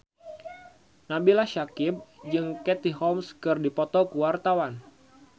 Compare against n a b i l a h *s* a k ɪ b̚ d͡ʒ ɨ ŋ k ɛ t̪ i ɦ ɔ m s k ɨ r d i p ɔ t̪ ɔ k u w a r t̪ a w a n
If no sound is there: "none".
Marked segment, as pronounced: ʃ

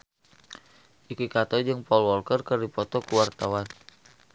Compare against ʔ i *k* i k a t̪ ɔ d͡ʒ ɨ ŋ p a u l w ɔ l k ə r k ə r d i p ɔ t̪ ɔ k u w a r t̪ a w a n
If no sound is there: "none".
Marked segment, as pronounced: k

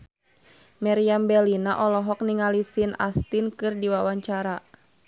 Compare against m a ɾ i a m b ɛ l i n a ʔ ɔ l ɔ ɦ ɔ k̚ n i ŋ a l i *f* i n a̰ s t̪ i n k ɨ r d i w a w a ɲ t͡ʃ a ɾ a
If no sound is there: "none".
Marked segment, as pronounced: s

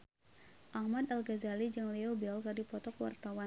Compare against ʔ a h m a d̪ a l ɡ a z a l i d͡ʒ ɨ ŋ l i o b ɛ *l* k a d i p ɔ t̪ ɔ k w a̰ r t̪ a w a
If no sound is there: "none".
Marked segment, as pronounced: l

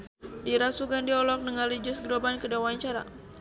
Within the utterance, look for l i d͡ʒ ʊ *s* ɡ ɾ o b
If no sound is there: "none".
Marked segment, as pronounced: s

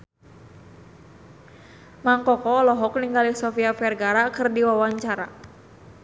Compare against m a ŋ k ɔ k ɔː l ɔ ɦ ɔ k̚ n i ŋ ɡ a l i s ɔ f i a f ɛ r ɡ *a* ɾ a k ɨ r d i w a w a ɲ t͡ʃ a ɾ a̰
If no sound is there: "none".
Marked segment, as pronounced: a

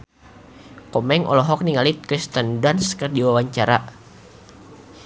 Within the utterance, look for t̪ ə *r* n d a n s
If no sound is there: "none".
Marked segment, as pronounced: none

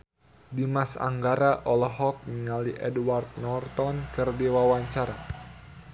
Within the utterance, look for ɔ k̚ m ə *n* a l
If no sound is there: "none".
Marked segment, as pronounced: ŋ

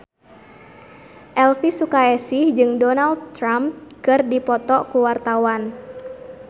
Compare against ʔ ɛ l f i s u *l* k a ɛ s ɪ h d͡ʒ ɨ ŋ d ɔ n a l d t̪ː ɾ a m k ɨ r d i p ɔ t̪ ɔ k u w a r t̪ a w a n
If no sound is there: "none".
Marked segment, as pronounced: none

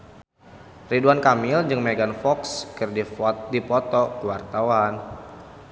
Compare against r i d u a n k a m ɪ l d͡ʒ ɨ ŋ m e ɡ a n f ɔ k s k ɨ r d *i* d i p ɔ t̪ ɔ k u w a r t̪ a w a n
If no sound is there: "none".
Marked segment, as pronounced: i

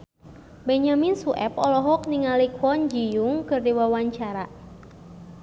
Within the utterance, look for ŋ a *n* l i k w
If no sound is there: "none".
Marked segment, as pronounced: none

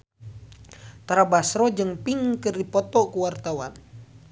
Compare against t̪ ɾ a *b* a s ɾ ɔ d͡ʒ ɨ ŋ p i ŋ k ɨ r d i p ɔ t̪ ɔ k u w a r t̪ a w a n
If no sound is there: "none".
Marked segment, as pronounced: b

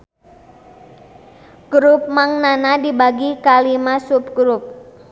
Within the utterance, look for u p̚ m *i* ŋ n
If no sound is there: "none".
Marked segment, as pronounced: a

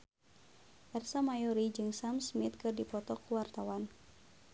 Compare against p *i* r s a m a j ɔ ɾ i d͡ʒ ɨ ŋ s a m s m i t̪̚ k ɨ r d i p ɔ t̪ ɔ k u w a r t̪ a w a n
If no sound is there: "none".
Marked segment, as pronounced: ɛ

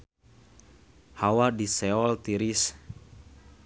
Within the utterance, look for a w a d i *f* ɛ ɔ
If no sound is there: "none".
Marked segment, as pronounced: s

